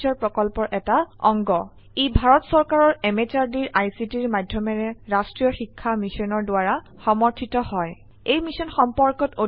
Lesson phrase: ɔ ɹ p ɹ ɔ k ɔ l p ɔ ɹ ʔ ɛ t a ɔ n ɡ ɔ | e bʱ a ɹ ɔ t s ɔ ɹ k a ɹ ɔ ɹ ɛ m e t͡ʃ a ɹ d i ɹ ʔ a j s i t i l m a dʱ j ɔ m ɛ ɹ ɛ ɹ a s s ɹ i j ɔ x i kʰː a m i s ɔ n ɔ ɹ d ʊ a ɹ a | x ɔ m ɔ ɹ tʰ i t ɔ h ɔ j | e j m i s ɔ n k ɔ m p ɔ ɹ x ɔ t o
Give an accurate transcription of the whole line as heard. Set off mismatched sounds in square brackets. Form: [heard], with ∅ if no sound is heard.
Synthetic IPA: ɔ ɹ p ɹ ɔ k ɔ l p ɔ ɹ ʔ ɛ t a ɔ [ŋ] ɡ ɔ | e bʱ a ɹ ɔ t s ɔ ɹ k a ɹ ɔ ɹ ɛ m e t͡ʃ a ɹ d i ɹ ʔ a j s i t i [ɹ] m a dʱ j ɔ m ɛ ɹ ɛ ɹ a s [t] ɹ i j ɔ x i kʰː a m i s ɔ n ɔ ɹ d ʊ a ɹ a | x ɔ m ɔ ɹ tʰ i t ɔ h ɔ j | e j m i s ɔ n [x] ɔ m p ɔ ɹ [k] ɔ t o

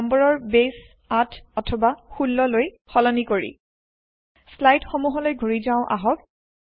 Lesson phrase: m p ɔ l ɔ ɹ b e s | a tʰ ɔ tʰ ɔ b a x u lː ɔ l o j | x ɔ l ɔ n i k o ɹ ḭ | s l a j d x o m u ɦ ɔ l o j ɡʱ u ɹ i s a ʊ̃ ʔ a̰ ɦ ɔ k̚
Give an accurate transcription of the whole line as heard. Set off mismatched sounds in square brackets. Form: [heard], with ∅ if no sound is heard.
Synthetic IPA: m [b] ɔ [ɹ] ɔ ɹ b e s | a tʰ ɔ tʰ ɔ b a x u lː ɔ l o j | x ɔ l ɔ n i k o ɹ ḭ | s l a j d x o m u ɦ ɔ l o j ɡʱ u ɹ i [z] a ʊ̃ ʔ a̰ ɦ ɔ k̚

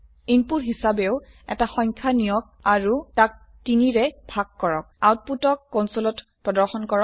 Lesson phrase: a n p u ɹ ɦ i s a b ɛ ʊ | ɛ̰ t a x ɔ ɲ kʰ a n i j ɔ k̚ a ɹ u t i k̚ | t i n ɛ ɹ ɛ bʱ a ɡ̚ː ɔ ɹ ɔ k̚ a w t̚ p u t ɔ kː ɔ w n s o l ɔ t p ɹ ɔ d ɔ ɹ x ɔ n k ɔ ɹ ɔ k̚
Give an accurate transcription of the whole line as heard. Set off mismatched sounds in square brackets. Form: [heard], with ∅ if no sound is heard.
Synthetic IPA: [i] n p u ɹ ɦ i s a b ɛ ʊ | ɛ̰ t a x ɔ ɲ kʰ a n i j ɔ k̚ a ɹ u t [a] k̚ | t i n [i] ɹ ɛ bʱ a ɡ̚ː ɔ ɹ ɔ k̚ a w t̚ p u t ɔ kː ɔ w n s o l ɔ t p ɹ ɔ d ɔ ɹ x ɔ n k ɔ ɹ ɔ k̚

